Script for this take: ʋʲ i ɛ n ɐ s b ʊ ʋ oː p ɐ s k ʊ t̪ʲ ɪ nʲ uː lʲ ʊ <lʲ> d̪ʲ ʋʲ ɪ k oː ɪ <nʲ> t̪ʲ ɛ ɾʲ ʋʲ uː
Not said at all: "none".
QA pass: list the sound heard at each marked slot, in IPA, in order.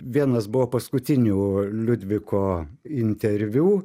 none, nʲ

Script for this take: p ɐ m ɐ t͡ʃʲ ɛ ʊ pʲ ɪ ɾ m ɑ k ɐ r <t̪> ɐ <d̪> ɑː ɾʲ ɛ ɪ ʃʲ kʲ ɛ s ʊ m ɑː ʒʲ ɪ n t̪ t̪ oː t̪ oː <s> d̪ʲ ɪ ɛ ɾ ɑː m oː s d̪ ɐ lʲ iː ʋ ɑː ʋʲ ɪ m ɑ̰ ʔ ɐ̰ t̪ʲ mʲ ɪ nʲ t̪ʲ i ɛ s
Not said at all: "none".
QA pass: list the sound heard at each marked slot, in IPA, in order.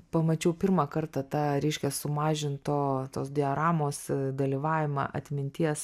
t̪, t̪, s

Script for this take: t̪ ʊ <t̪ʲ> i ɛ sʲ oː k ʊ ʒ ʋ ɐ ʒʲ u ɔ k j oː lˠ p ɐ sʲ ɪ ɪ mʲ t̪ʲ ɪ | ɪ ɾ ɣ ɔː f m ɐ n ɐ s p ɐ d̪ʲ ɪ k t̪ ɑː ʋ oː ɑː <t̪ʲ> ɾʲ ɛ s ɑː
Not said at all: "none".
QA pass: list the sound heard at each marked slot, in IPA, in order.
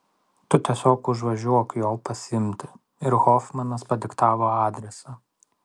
t̪ʲ, d̪ʲ

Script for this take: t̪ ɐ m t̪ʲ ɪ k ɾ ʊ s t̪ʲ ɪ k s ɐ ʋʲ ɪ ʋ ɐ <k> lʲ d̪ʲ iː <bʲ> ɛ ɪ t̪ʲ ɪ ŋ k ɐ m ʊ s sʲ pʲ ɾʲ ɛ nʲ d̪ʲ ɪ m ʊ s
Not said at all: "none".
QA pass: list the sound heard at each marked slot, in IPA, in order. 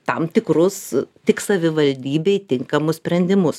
none, bʲ

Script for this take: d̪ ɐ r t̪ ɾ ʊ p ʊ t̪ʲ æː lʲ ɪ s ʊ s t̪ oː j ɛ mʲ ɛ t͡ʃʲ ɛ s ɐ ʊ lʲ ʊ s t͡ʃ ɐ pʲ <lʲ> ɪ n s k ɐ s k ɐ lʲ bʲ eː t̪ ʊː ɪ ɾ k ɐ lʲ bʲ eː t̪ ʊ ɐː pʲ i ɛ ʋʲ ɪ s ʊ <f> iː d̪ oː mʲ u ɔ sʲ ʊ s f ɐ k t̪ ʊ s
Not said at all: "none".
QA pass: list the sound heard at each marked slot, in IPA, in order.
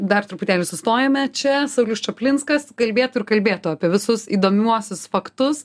lʲ, s

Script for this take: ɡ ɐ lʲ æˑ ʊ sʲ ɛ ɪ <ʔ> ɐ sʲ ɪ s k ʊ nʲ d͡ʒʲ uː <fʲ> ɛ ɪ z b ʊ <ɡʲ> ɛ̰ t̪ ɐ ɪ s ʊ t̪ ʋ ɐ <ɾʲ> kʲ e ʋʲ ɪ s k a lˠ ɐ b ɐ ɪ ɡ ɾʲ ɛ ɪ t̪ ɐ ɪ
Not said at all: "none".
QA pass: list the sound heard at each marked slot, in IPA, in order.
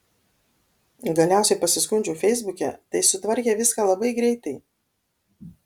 p, fʲ, kʲ, ɾʲ

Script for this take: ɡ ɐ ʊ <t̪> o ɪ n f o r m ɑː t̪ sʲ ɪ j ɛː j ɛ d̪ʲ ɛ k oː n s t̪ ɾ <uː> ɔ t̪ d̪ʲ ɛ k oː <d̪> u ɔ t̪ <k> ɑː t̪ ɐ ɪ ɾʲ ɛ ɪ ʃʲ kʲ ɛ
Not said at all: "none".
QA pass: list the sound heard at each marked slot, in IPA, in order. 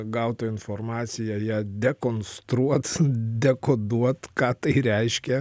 t̪, u, d̪, k

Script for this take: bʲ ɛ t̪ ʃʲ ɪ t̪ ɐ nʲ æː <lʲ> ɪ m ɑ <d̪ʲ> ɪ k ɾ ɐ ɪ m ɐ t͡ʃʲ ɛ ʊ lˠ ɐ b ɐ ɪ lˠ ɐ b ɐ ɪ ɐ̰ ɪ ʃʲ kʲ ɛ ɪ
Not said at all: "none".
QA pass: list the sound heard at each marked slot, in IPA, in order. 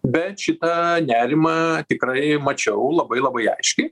ɾʲ, t̪ʲ

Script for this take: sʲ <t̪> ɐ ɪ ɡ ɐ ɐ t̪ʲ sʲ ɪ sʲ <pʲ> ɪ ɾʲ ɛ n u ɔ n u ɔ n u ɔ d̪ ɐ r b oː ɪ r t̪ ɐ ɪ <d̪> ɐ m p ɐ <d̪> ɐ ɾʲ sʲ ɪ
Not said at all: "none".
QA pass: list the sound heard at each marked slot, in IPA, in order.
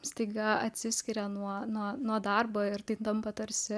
t̪, kʲ, t̪, t̪

